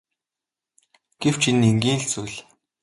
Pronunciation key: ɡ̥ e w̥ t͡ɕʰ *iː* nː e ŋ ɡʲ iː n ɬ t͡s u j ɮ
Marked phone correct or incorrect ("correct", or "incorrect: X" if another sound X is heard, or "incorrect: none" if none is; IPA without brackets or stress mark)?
incorrect: i